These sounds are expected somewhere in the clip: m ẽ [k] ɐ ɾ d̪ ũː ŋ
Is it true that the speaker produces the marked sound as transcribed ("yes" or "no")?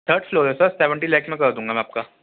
yes